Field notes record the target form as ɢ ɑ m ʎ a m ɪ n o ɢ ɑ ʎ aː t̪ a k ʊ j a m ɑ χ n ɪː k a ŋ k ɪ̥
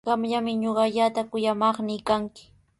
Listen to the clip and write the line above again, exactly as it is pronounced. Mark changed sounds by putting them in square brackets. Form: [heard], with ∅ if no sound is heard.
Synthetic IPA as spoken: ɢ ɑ m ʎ a m ɪ [ɲ] o ɢ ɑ ʎ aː t̪ a k ʊ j a m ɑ χ n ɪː k a ŋ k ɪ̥